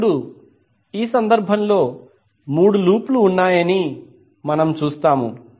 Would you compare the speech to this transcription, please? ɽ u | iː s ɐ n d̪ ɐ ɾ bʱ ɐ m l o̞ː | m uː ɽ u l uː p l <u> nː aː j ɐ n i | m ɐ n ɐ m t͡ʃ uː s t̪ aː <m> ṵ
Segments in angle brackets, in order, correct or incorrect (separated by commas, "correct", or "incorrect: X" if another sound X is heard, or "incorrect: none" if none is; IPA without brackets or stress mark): incorrect: uː, correct